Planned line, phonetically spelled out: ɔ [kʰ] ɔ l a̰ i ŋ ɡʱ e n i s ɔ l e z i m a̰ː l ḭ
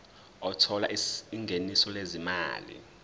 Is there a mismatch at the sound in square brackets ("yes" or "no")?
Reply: yes